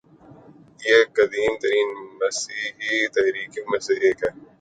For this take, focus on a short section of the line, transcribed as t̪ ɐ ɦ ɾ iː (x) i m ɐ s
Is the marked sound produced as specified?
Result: no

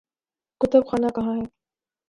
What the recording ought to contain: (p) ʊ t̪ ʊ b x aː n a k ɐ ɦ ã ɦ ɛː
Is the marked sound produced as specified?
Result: no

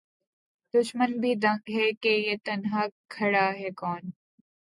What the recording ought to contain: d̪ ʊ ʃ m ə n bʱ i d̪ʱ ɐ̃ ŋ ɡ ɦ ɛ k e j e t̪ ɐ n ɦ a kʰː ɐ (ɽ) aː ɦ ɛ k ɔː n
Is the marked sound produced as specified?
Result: yes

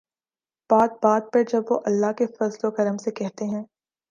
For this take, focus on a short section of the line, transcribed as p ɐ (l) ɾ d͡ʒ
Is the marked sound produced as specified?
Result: no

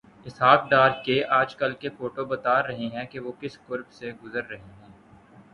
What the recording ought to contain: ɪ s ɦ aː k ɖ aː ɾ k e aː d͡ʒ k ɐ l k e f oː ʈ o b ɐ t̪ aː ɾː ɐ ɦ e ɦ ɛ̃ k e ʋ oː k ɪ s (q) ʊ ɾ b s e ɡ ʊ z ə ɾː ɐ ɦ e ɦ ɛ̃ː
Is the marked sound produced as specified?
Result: no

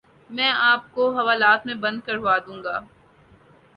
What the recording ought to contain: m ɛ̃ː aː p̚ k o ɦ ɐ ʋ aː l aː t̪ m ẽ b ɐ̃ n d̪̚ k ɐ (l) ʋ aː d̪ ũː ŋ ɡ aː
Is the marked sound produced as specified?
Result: no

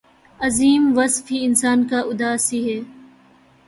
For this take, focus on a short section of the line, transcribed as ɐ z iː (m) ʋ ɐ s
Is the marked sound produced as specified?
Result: yes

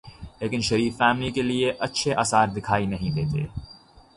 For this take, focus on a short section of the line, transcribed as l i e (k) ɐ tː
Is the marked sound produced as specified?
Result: no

